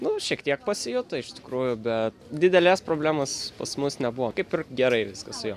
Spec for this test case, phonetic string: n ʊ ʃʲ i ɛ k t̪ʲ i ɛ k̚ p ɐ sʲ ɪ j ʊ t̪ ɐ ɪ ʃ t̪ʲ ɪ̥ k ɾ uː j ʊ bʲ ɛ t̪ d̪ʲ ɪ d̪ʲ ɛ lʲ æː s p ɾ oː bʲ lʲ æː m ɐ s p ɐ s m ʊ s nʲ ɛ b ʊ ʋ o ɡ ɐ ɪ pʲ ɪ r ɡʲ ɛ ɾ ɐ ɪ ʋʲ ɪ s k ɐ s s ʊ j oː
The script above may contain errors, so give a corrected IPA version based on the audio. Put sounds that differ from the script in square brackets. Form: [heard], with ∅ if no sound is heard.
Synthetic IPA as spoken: n ʊ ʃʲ i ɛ k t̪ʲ i ɛ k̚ p ɐ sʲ ɪ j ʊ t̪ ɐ ɪ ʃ t̪ʲ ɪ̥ k ɾ uː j ʊ bʲ ɛ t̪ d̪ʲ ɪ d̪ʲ ɛ lʲ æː s p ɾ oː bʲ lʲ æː m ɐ s p ɐ s m ʊ s nʲ ɛ b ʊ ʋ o [k] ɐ ɪ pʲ ɪ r ɡʲ ɛ ɾ ɐ ɪ ʋʲ ɪ s k ɐ s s ʊ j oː